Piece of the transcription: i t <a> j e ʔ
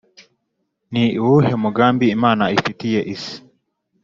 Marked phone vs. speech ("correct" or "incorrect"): incorrect